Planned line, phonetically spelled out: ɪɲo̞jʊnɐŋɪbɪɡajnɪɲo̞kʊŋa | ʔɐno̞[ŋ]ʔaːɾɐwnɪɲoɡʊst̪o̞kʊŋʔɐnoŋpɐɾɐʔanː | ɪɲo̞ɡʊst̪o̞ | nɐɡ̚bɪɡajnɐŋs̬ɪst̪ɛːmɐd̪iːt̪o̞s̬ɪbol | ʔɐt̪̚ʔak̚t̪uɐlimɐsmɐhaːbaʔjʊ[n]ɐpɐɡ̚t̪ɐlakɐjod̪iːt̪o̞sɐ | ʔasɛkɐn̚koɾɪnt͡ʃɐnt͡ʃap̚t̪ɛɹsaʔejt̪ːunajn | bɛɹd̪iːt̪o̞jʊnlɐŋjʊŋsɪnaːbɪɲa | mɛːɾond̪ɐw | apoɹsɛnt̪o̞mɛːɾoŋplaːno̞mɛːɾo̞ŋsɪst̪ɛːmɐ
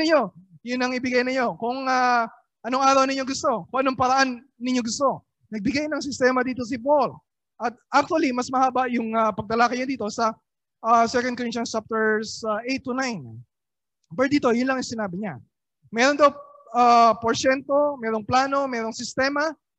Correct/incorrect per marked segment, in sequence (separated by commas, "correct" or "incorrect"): correct, incorrect